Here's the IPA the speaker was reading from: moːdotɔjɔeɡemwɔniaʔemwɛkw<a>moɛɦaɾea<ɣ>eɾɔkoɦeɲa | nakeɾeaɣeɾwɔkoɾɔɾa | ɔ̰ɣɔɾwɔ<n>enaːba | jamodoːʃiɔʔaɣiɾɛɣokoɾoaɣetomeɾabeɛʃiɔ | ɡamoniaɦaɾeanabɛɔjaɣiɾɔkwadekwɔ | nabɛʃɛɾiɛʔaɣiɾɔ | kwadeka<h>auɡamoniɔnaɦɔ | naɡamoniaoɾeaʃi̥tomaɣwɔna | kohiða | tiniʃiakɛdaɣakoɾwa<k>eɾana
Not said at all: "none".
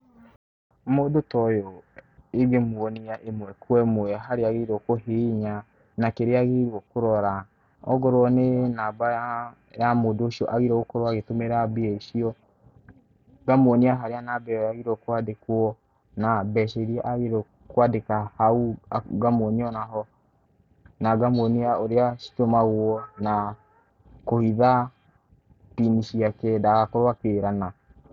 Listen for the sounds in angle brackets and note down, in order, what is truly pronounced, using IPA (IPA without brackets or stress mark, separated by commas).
ɛ, ɣ, n, h, k